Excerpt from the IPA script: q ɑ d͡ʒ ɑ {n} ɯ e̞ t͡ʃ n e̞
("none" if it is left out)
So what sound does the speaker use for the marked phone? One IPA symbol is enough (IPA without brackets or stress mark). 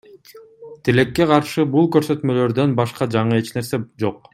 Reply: ɴ